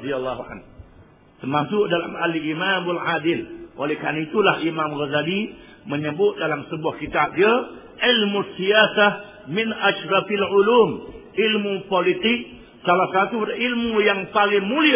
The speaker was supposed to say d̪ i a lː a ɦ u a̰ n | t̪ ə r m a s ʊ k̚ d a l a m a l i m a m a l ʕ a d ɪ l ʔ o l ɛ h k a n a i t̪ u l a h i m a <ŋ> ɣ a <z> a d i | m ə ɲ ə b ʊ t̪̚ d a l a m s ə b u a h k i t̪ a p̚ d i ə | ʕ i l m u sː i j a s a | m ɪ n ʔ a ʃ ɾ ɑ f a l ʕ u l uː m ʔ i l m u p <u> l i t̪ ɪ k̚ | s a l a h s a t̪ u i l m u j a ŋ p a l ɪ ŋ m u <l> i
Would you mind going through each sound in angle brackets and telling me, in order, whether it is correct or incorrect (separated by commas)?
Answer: incorrect, correct, incorrect, correct